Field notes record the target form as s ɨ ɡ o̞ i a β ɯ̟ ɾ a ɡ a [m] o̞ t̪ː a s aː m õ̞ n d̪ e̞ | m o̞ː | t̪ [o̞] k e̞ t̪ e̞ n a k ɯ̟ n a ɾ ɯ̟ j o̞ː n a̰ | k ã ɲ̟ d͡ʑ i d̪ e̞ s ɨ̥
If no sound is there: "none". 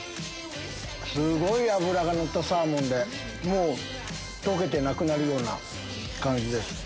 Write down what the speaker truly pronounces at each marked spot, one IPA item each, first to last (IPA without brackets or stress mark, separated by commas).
n, o̞